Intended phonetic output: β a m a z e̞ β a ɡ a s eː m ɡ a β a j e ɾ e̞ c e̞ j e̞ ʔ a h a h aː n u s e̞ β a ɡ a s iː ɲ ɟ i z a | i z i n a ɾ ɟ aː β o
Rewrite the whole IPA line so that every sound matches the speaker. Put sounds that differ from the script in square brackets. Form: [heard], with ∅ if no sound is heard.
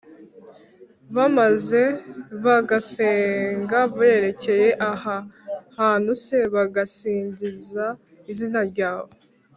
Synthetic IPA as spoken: β a m a z e̞ β a ɡ a s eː [ŋ] ɡ a β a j e ɾ e̞ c e̞ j e̞ ʔ a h a h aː n u s e̞ β a ɡ a s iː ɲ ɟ i z a | i z i n a ɾ ɟ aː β o

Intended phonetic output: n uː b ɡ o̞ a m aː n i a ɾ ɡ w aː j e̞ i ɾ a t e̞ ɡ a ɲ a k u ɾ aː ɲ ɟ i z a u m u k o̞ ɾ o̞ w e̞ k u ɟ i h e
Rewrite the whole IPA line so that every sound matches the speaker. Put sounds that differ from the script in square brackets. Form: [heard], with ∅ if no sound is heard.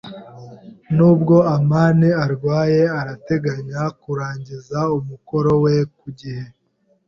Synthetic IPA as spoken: n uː b ɡ o̞ a m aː n i a ɾ ɡ w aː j e̞ [a] ɾ a t e̞ ɡ a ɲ a k u ɾ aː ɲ ɟ i z a u m u k o̞ ɾ o̞ w e̞ k u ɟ i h e

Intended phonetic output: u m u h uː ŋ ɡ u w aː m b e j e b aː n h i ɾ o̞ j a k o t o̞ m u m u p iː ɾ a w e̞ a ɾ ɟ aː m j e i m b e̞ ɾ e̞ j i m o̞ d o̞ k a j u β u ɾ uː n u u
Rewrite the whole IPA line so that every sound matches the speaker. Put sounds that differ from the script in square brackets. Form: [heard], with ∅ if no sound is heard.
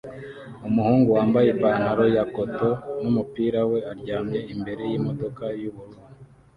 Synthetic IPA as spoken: u m u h uː ŋ ɡ u w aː m b [a] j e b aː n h [a] ɾ o̞ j a k o t o̞ [n] u m u p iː ɾ a w e̞ a ɾ ɟ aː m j e i m b e̞ ɾ e̞ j i m o̞ d o̞ k a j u β u ɾ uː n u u

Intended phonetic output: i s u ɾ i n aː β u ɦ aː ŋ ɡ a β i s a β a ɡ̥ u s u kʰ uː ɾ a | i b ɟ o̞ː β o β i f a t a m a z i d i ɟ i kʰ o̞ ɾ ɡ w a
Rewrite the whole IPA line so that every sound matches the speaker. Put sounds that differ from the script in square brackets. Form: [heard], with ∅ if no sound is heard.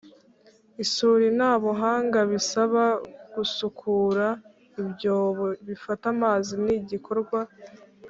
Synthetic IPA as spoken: i s u ɾ i n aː β [o] ɦ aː ŋ ɡ a β i s a β a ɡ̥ u s u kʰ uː ɾ a | i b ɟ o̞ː β o β i f a t a m a z i [n] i ɟ i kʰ o̞ ɾ ɡ w a

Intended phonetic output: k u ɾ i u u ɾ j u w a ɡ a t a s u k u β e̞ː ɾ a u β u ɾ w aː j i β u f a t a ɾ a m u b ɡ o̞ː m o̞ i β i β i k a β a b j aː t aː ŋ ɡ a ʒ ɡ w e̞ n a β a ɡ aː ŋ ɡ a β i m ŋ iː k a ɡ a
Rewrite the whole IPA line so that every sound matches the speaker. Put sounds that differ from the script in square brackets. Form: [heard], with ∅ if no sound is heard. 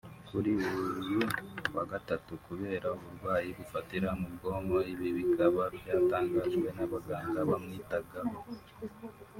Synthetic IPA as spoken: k u ɾ i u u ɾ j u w a ɡ a t a [t] u k u β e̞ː ɾ a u β u ɾ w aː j i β u f a t [i] ɾ a m u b ɡ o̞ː m o̞ i β i β i k a β a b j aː t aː ŋ ɡ a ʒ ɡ w e̞ n a β a ɡ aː ŋ ɡ a β [a] m ŋ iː [t] a ɡ a

